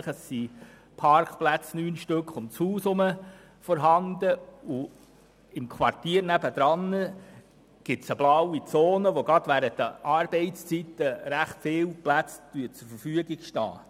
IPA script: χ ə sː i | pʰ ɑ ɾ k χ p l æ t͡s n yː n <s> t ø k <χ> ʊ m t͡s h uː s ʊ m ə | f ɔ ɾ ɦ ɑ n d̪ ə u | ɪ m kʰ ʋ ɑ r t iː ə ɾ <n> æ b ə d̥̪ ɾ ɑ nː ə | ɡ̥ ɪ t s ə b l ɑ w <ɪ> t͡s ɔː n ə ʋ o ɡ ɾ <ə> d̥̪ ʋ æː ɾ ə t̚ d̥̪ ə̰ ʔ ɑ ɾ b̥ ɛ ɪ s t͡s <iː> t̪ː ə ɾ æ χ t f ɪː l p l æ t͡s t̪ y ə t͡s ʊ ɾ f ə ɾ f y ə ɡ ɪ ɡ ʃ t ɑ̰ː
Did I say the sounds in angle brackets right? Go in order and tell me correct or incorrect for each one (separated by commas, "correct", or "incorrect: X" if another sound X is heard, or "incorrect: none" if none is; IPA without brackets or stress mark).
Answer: incorrect: ʃ, correct, correct, incorrect: i, incorrect: ɑ, incorrect: i